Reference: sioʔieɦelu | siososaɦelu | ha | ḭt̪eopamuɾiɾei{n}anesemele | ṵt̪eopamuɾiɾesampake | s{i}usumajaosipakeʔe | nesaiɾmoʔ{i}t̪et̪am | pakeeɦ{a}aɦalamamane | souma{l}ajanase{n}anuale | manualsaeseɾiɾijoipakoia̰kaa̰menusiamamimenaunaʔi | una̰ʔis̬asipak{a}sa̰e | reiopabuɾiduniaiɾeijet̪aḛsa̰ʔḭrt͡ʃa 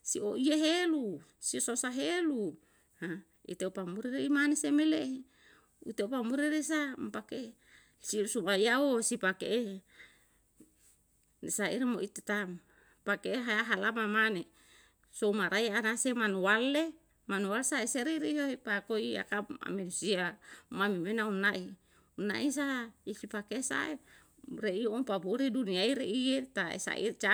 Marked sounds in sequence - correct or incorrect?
incorrect: m, correct, correct, correct, incorrect: ɾ, incorrect: m, incorrect: e

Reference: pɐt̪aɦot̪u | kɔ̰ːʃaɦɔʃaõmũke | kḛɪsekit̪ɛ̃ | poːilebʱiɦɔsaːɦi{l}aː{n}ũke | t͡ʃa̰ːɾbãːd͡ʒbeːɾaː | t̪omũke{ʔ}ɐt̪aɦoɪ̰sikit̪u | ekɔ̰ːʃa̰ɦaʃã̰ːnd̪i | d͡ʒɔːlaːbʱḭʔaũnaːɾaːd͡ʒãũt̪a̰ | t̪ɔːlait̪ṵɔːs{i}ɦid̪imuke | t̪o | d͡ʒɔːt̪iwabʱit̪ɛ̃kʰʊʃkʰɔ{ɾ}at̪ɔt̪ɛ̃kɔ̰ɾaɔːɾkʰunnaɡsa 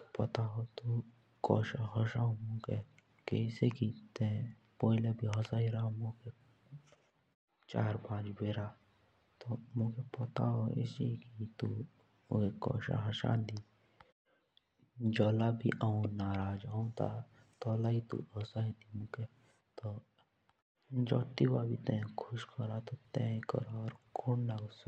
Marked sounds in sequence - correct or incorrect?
incorrect: ɾ, incorrect: m, incorrect: p, incorrect: a, correct

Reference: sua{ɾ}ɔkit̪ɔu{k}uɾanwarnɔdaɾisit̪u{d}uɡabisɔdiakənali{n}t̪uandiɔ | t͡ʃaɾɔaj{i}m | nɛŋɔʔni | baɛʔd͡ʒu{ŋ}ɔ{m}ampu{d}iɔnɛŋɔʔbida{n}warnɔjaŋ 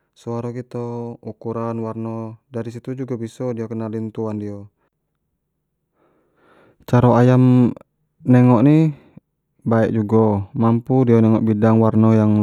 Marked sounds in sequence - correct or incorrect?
correct, correct, incorrect: d͡ʒ, correct, incorrect: a, incorrect: ɡ, correct, correct, incorrect: ŋ

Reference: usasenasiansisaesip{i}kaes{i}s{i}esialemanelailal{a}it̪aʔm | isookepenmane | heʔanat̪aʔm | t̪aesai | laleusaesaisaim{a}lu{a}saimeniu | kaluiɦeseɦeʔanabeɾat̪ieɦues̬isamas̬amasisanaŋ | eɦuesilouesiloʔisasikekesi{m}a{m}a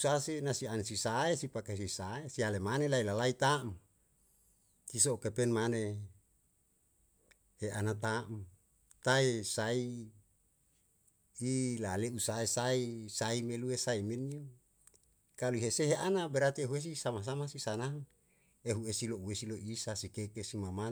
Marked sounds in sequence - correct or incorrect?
incorrect: a, correct, incorrect: a, correct, incorrect: e, incorrect: e, correct, correct

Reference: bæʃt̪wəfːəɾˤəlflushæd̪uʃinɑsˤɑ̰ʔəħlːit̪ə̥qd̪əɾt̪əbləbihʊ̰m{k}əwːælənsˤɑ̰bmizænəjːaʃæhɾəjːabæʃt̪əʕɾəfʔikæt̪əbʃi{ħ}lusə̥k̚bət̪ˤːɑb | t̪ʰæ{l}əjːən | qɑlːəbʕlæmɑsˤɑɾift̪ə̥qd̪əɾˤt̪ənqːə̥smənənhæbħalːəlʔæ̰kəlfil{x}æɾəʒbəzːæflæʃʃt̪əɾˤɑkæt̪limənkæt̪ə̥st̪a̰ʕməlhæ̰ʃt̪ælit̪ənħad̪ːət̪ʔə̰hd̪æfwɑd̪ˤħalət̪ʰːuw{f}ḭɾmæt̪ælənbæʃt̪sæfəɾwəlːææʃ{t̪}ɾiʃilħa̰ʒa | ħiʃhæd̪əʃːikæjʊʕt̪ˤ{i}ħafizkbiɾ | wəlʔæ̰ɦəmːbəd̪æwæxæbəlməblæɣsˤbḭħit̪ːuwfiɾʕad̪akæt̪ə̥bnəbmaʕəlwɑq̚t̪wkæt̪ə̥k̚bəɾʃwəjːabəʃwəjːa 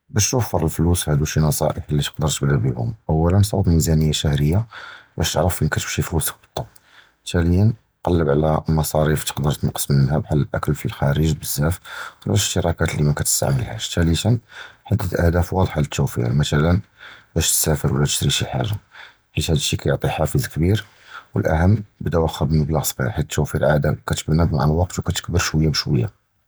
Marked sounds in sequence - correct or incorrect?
incorrect: ʔ, incorrect: f, correct, correct, correct, correct, correct

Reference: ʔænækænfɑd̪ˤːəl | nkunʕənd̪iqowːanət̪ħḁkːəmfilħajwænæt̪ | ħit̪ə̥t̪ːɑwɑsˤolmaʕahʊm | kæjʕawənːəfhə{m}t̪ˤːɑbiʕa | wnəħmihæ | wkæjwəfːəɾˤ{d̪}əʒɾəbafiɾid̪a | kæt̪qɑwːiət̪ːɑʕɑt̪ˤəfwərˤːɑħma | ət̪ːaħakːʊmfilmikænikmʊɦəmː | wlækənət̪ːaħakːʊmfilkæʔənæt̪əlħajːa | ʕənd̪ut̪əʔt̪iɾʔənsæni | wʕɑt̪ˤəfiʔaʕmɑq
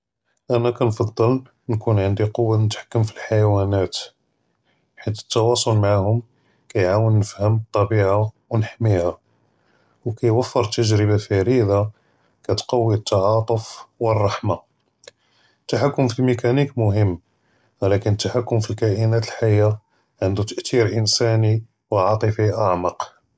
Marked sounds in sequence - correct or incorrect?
correct, incorrect: t̪

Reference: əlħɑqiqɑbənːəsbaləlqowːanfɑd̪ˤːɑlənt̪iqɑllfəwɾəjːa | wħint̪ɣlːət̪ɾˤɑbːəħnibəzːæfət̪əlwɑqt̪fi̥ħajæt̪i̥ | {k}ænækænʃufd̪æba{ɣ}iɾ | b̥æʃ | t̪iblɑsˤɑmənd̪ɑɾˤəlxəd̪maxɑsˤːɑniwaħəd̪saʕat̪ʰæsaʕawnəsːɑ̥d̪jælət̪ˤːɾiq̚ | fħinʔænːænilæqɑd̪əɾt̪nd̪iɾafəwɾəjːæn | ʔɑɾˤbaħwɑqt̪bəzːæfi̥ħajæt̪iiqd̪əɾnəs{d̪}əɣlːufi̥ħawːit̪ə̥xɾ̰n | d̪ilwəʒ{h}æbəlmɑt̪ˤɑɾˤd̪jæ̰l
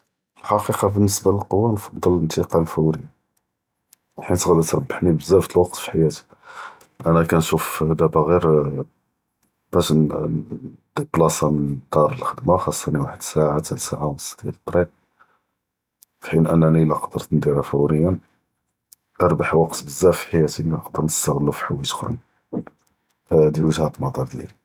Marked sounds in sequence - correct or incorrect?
incorrect: ʔ, correct, incorrect: t̪, correct

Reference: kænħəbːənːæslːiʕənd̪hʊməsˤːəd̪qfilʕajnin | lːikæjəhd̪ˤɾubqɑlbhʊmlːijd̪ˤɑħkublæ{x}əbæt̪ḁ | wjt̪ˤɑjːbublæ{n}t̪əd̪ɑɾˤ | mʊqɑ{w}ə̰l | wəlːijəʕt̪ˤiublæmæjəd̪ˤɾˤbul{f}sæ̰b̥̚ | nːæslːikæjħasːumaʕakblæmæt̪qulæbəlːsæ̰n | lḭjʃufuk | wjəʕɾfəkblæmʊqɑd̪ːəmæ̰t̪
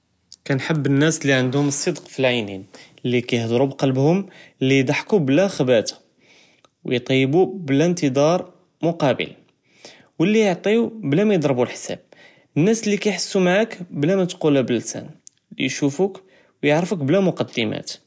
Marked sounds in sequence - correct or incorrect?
correct, correct, incorrect: b, incorrect: ħ

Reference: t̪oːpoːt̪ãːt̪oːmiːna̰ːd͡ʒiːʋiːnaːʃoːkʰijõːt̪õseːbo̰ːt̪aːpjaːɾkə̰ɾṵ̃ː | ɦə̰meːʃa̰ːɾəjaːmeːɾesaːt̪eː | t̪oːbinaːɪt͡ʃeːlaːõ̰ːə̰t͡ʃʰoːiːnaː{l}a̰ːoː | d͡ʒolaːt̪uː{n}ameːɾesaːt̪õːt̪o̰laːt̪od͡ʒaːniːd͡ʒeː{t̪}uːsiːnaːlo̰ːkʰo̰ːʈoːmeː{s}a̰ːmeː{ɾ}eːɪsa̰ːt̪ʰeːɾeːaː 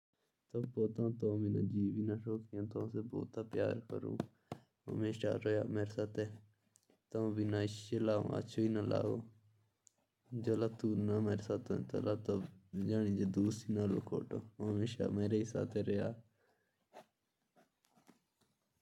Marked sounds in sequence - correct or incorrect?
correct, correct, incorrect: d̪, incorrect: ʃ, correct

